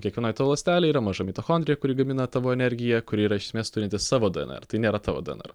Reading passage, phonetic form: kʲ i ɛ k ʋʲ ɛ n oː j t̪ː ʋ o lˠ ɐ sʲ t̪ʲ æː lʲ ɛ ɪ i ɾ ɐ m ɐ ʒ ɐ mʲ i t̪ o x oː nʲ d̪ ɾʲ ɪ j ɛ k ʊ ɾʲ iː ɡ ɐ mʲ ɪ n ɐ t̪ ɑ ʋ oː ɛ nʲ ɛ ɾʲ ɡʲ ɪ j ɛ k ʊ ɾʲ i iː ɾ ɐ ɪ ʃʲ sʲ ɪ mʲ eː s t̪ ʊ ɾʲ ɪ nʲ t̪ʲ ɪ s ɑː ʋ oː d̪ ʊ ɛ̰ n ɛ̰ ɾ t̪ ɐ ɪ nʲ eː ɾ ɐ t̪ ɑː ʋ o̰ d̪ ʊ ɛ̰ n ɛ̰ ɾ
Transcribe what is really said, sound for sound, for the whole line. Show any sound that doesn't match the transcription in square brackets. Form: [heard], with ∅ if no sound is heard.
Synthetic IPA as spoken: kʲ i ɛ k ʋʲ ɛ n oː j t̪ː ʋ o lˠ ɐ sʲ t̪ʲ æː lʲ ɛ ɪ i ɾ ɐ m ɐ ʒ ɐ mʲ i t̪ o x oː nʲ d̪ ɾʲ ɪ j ɛ k ʊ ɾʲ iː ɡ ɐ mʲ ɪ n ɐ t̪ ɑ ʋ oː ɛ nʲ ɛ ɾʲ ɡʲ ɪ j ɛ k ʊ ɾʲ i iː ɾ ɐ ɪ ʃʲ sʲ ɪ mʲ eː s t̪ ʊ ɾʲ ɪ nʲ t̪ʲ ɪ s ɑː ʋ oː d̪ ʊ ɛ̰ n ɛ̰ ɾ t̪ ɐ ɪ nʲ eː ɾ ɐ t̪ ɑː ʋ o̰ d̪ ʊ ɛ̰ n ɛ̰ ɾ